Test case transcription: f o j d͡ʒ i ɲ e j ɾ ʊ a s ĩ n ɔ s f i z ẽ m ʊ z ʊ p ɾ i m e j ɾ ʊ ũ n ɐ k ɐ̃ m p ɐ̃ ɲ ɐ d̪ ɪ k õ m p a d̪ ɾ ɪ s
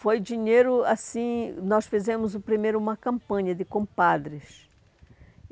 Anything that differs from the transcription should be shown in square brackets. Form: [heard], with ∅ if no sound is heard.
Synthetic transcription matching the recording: f o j d͡ʒ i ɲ e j ɾ ʊ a s ĩ n ɔ s f i z ẽ m ʊ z ʊ p ɾ i m e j ɾ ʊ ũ [m] ɐ k ɐ̃ m p ɐ̃ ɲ ɐ d̪ ɪ k õ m p a d̪ ɾ ɪ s